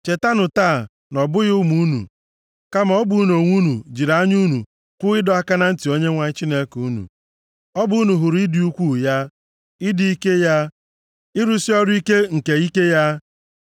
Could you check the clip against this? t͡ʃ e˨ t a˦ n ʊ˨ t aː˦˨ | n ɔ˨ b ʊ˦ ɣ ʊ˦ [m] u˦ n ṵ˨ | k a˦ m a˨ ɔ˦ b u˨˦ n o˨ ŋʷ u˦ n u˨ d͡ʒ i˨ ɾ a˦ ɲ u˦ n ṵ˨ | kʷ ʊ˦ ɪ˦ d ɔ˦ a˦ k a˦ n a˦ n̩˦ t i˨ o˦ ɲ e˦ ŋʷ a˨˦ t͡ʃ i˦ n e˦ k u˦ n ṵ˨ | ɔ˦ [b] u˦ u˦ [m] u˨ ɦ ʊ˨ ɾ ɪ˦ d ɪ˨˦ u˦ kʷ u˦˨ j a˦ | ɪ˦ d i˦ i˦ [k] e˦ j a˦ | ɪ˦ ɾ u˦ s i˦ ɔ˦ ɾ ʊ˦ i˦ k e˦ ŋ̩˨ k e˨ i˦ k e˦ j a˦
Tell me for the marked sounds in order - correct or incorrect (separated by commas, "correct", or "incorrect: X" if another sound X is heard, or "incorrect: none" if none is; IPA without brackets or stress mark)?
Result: correct, correct, incorrect: n, correct